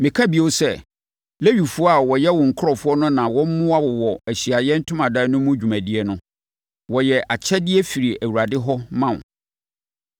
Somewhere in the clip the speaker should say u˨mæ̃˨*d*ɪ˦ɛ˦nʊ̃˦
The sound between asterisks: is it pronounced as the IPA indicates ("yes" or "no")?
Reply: yes